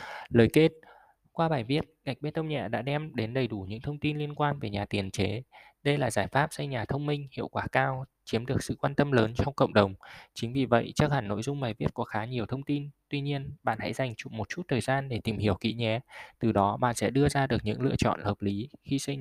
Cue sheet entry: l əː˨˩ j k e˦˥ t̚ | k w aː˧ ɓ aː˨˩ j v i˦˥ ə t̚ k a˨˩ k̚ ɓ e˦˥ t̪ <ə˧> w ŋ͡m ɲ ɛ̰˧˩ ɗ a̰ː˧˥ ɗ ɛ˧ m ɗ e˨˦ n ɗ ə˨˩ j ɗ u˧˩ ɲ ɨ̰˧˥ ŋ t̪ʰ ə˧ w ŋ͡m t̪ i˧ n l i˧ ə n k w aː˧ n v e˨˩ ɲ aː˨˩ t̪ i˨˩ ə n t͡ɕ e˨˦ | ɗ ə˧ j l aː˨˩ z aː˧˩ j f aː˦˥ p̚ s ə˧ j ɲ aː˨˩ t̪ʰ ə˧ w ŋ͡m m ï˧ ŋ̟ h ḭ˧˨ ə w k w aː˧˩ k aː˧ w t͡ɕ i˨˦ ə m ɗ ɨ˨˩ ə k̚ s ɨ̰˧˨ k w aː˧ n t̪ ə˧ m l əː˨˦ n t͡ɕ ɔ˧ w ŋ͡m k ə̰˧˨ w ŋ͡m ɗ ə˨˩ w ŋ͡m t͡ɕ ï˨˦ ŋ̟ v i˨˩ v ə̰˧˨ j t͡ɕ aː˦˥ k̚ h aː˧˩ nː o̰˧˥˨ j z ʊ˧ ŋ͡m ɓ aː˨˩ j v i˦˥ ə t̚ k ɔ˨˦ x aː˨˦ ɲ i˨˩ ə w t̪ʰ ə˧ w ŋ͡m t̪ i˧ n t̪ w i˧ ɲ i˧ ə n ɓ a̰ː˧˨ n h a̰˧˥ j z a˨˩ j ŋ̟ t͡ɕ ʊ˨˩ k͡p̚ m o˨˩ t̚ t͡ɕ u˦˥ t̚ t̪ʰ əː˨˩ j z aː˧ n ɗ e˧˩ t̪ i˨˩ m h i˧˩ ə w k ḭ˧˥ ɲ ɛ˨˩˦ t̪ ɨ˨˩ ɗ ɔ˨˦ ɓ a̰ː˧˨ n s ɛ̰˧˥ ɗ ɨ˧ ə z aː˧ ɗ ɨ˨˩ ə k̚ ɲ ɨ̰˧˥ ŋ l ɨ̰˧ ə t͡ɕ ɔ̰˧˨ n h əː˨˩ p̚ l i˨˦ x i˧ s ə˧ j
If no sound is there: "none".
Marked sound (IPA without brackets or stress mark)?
ə˧